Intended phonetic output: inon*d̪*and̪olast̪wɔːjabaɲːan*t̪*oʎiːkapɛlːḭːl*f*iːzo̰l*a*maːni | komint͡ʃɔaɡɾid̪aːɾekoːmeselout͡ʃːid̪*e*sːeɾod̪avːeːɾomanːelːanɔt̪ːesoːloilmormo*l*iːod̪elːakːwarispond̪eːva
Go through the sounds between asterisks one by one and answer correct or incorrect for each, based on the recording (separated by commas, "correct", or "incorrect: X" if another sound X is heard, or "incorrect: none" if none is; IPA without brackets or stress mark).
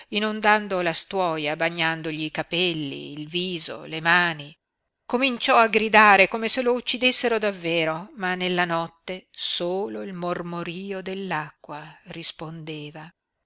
correct, incorrect: d̪, incorrect: v, incorrect: e, correct, incorrect: ɾ